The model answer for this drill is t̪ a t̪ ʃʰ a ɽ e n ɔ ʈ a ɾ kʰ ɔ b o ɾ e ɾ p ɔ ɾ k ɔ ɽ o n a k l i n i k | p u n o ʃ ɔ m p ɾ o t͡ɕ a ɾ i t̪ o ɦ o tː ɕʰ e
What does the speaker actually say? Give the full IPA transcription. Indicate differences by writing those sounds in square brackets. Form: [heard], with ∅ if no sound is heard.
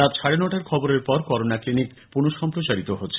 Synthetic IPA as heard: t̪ a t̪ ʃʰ a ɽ e n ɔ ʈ a ɾ kʰ ɔ b o ɾ e ɾ p ɔ ɾ k ɔ [ɾ] o n a k l i n i k | p u n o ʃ ɔ m p ɾ o t͡ɕ a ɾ i t̪ o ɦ o tː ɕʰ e